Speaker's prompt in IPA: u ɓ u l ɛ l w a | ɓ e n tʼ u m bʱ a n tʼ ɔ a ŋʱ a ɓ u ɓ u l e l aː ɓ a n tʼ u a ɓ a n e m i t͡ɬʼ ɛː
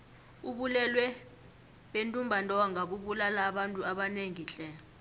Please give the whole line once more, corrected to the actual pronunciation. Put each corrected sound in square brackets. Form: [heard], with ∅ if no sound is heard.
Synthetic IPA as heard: u ɓ u l ɛ l w [ɛ] | ɓ e n tʼ u m bʱ a n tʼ ɔ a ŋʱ a ɓ u ɓ u l [a] l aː ɓ a n tʼ u a ɓ a n e [ŋ] i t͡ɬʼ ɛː